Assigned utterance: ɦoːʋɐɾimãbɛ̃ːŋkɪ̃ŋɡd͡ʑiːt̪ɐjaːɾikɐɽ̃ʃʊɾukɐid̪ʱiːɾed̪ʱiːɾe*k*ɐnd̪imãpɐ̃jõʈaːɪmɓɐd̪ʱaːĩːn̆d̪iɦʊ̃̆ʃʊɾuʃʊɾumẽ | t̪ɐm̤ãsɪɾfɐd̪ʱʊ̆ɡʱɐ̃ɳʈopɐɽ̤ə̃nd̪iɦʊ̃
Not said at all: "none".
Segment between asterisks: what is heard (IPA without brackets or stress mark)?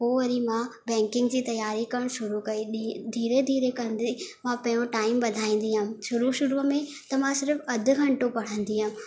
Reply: k